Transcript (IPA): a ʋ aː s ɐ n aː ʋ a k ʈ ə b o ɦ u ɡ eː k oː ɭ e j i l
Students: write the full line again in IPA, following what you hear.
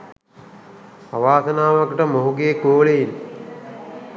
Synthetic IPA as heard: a ʋ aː s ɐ n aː ʋ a k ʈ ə m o ɦ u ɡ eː k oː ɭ e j i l